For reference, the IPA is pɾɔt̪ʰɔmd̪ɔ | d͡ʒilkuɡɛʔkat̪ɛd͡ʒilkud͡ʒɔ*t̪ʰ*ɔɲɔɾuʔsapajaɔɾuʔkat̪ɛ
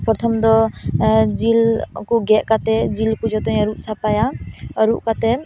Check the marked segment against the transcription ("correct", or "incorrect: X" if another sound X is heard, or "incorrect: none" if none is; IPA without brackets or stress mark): incorrect: t̪